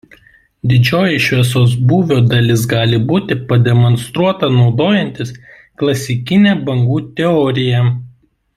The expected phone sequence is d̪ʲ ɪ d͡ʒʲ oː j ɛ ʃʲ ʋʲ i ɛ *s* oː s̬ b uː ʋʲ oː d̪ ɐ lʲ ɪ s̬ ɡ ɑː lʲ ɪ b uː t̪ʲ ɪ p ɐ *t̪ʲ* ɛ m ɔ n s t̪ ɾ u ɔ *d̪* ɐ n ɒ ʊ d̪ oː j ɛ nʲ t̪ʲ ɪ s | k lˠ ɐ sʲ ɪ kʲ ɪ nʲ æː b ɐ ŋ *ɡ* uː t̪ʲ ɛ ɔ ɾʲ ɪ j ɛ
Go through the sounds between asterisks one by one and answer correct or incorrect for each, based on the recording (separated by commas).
correct, incorrect, incorrect, correct